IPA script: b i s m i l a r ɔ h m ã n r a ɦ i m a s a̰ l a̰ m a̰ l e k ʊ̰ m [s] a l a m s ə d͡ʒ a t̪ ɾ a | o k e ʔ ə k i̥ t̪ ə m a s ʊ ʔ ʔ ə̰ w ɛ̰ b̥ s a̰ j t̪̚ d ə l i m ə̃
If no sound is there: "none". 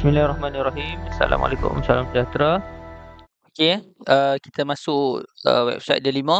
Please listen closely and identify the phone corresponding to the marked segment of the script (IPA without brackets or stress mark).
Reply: s